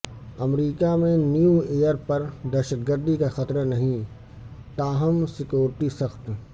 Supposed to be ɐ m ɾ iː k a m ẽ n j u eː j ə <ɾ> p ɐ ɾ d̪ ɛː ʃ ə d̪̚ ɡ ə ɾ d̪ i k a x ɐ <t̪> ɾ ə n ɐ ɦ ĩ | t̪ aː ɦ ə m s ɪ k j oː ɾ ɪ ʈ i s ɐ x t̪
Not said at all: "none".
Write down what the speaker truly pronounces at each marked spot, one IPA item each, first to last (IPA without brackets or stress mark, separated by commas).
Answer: ɾ, t̪